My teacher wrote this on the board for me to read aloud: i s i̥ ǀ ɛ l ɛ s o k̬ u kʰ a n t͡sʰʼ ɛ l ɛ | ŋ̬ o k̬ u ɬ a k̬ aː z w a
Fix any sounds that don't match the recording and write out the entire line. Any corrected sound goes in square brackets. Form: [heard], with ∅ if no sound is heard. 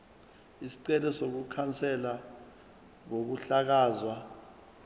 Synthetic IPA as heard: i s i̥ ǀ ɛ l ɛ s o k̬ u kʰ a n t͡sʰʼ ɛ l [a] | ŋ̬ o k̬ u ɬ a k̬ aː z w a